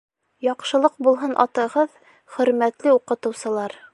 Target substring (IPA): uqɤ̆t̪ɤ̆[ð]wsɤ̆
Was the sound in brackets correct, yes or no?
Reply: no